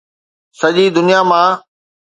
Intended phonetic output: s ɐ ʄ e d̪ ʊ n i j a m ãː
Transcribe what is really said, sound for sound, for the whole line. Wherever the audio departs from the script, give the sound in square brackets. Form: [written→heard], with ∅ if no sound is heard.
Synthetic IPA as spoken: s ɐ ʄ [e→i] d̪ ʊ n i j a m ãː

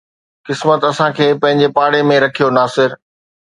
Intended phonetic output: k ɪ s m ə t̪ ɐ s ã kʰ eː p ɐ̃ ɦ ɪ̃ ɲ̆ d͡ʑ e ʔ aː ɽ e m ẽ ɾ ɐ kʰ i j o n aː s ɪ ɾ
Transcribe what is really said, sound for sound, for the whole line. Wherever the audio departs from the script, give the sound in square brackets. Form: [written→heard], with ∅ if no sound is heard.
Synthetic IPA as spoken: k ɪ s m ə t̪ ɐ s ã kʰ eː p ɐ̃ ɦ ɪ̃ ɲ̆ d͡ʑ e [ʔ→p] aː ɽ e m ẽ ɾ ɐ kʰ i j o n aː s ɪ ɾ

